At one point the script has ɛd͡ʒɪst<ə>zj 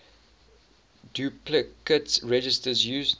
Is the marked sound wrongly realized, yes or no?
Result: no